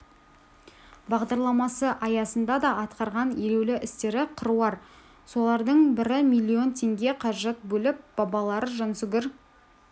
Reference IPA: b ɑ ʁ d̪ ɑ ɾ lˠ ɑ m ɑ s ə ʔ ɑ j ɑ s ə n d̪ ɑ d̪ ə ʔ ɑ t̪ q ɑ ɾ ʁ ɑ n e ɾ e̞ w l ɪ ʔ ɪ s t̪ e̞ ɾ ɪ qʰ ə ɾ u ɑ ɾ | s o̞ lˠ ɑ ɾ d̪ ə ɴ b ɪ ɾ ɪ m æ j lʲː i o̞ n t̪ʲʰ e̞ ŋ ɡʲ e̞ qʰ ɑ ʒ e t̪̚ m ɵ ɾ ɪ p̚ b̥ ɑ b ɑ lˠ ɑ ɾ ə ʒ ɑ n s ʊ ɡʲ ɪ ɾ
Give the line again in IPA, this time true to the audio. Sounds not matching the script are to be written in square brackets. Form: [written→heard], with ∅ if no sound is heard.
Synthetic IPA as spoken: b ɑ ʁ d̪ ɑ ɾ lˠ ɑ m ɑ s ə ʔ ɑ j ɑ s ə n d̪ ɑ d̪ [ə→ɑ] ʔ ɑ t̪ q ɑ ɾ ʁ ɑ n e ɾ e̞ w l ɪ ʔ ɪ s t̪ e̞ ɾ ɪ qʰ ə ɾ u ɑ ɾ | s o̞ lˠ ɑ ɾ d̪ ə ɴ b ɪ ɾ ɪ m [æ→i] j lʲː i o̞ n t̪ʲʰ e̞ ŋ ɡʲ e̞ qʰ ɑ ʒ e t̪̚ [m→b] ɵ [ɾ→l] ɪ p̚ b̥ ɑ b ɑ lˠ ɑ ɾ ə ʒ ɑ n s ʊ ɡʲ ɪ ɾ